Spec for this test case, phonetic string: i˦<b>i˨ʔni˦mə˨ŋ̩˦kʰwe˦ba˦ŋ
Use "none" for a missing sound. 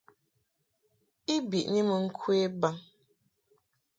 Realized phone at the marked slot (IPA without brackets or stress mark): b